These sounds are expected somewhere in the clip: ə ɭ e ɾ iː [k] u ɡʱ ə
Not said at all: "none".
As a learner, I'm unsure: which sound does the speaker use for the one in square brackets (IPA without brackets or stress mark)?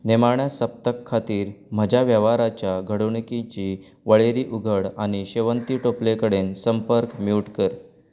ʔ